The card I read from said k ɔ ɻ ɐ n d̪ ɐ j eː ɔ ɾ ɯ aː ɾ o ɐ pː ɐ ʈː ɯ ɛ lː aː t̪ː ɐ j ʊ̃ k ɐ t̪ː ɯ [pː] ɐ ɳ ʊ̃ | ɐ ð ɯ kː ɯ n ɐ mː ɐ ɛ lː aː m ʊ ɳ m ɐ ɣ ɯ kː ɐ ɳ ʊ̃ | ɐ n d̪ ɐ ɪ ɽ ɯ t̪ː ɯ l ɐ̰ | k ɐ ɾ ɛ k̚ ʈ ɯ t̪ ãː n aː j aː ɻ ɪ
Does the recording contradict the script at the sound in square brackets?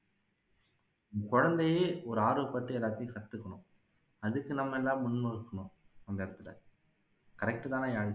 yes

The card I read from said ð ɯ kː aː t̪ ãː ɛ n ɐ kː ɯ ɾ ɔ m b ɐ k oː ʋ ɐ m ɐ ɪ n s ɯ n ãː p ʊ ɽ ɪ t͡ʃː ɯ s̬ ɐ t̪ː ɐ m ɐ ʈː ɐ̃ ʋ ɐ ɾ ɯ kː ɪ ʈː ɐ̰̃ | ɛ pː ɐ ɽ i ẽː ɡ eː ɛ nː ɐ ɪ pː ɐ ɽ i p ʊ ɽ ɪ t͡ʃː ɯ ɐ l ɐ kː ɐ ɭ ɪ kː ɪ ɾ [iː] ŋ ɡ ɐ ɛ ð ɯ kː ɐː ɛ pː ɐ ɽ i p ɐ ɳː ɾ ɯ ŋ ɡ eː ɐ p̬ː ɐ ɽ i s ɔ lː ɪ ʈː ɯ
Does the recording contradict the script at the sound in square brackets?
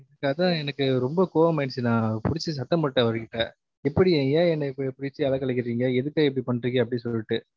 no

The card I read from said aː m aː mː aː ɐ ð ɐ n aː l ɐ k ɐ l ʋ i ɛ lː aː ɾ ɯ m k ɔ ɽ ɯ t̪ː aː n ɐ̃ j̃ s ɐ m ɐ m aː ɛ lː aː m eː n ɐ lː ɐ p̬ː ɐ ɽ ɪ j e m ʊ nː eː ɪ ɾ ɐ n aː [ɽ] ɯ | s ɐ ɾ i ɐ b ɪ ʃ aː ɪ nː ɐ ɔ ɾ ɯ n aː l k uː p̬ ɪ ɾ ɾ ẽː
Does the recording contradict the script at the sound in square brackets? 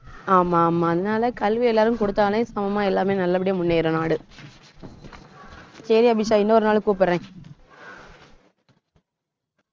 no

